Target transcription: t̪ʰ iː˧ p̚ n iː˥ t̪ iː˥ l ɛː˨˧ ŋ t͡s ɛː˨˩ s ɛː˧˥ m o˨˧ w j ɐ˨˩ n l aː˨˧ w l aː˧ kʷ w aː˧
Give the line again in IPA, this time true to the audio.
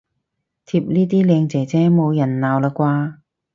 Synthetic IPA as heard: t̪ʰ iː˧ p̚ n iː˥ t̪ iː˥ l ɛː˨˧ ŋ t͡s ɛː˨˩ t͡s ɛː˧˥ m o˨˧ w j ɐ˨˩ n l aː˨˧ w l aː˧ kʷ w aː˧